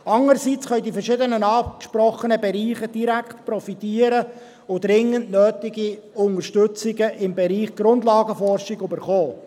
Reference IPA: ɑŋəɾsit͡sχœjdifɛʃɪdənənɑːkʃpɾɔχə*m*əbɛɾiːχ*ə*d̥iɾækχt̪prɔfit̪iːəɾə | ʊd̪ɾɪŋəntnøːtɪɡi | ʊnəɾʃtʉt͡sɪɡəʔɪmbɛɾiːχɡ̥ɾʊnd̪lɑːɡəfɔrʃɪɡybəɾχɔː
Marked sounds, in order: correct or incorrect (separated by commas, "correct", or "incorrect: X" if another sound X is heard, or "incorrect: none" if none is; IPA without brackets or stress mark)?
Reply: incorrect: n, correct